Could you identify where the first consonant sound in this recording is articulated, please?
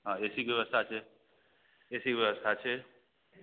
glottal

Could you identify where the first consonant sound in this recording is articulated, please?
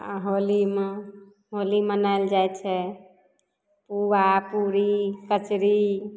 glottal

